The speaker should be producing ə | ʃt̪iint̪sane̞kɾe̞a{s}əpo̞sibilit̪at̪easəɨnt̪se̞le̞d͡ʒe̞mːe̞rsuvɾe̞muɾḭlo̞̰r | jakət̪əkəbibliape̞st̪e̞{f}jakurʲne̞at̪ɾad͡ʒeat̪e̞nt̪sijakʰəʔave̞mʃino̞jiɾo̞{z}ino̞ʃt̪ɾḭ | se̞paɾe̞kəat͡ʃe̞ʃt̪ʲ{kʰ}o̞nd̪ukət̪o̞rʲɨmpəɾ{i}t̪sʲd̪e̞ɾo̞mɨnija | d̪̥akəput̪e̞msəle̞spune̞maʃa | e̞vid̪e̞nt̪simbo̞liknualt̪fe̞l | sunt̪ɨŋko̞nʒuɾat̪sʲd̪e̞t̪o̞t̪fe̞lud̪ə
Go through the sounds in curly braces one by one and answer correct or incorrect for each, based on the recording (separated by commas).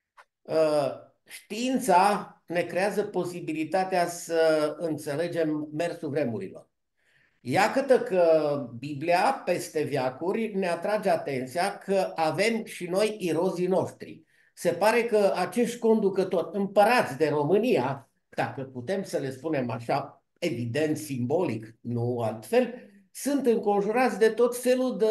incorrect, incorrect, correct, incorrect, incorrect